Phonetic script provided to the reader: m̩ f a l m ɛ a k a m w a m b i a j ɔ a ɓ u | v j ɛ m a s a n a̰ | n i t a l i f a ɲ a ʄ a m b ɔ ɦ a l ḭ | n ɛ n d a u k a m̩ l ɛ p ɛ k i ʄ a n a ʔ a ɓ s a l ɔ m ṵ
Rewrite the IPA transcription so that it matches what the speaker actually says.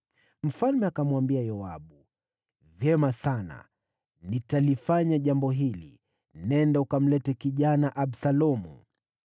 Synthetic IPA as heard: m̩ f a l m ɛ a k a m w a m b i a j ɔ a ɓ u | v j ɛ m a s a n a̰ | n i t a l i f a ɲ a ʄ a m b ɔ ɦ i l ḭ | n ɛ n d a u k a m̩ l ɛ t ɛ k i ʄ a n a ʔ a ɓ s a l ɔ m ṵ